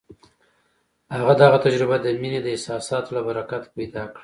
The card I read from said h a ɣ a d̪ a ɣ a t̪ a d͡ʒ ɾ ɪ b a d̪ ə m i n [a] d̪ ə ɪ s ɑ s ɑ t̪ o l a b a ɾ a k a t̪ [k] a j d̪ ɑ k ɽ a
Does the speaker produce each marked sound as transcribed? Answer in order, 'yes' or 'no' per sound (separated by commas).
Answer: no, no